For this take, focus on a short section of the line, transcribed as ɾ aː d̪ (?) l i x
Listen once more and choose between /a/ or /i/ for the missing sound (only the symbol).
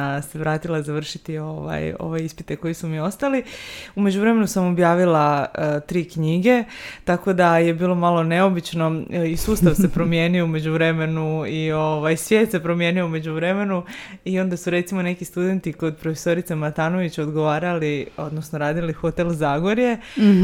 i